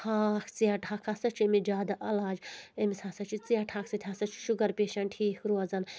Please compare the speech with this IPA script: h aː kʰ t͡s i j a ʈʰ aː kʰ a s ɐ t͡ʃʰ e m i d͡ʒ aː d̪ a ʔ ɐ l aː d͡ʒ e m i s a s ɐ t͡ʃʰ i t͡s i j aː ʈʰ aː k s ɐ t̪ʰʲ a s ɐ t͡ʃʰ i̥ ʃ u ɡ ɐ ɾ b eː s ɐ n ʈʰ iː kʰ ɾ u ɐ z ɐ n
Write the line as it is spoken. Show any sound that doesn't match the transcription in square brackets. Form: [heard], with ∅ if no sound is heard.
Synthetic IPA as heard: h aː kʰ t͡s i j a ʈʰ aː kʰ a s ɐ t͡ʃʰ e m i d͡ʒ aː d̪ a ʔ ɐ l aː d͡ʒ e m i s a s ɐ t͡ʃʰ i t͡s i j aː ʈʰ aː k s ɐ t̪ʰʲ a s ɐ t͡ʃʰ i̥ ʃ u ɡ ɐ ɾ [p] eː [ʃ] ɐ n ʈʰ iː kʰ ɾ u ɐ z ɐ n